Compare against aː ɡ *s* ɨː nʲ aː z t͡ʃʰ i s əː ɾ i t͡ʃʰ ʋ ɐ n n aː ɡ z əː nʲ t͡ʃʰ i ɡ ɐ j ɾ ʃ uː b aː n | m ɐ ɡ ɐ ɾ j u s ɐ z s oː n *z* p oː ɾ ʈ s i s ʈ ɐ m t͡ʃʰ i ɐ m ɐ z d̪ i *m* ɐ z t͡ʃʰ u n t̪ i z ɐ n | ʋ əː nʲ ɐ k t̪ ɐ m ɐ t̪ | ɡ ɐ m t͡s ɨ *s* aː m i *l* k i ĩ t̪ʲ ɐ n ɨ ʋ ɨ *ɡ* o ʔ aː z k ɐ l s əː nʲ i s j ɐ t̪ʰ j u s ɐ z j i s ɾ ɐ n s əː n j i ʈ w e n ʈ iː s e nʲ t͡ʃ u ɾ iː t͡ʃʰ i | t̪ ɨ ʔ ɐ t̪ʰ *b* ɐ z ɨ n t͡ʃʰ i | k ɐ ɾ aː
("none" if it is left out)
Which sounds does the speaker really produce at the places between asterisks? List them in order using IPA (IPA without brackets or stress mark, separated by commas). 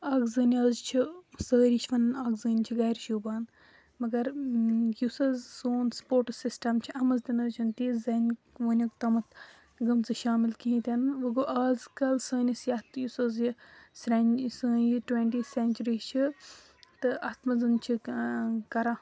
z, s, n, ʃ, l, ɡ, m